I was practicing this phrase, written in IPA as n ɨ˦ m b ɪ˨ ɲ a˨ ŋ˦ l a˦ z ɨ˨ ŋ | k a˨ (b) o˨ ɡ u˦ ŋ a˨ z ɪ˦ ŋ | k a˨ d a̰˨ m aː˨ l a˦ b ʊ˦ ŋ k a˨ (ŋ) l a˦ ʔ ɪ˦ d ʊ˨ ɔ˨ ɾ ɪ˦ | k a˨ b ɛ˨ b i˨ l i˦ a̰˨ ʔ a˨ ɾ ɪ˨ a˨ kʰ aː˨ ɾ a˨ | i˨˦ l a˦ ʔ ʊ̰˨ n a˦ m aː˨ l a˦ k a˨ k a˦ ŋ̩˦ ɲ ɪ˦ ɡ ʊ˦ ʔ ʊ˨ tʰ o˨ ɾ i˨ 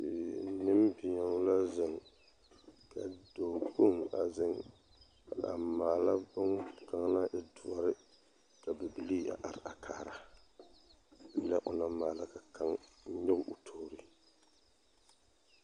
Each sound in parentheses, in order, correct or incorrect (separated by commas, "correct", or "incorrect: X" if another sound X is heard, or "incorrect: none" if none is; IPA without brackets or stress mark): incorrect: d, correct